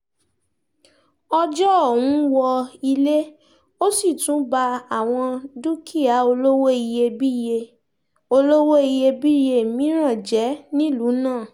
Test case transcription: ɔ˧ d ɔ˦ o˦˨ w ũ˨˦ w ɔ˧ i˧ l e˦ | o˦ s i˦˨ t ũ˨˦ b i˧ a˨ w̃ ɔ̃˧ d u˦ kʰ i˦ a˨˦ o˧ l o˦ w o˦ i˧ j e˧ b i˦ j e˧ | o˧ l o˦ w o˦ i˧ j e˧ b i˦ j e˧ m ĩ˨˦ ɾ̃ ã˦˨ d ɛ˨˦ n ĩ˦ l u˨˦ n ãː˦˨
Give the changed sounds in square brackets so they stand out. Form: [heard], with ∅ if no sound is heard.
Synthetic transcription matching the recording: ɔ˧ [d͡ʒ] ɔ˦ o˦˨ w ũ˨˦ w ɔ˧ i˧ l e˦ | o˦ s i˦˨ t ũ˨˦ b [a˧] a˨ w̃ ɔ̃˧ d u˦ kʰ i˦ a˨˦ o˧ l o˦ w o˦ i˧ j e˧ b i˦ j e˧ | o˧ l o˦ w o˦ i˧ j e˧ b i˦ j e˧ m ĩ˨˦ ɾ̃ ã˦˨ [d͡ʒ] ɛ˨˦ n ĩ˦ l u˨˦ n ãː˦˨